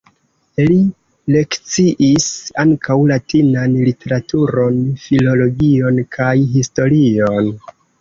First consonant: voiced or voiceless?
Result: voiced